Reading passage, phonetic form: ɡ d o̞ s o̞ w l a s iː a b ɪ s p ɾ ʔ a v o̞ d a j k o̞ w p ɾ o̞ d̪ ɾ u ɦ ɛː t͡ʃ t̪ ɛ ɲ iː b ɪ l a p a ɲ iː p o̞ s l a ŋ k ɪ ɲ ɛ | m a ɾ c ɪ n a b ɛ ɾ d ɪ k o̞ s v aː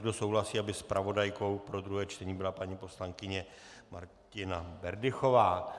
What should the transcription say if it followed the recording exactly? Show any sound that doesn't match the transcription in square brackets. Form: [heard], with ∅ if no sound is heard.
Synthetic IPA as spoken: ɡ d o̞ s o̞ w l a s iː a b ɪ s p ɾ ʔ a v o̞ d a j k o̞ w p ɾ o̞ d̪ ɾ u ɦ ɛː t͡ʃ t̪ ɛ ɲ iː b ɪ l a p a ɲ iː p o̞ s l a ŋ k ɪ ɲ ɛ | m a ɾ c ɪ n a b ɛ ɾ d ɪ [x] o̞ [∅] v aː